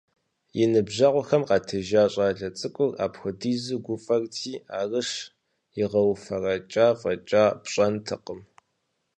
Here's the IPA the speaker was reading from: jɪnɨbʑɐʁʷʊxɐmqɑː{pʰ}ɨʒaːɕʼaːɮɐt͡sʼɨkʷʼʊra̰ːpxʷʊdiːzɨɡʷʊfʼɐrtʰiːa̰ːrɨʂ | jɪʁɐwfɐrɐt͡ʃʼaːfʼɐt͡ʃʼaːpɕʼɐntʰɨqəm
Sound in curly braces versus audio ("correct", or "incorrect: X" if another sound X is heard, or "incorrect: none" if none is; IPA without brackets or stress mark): incorrect: tʰ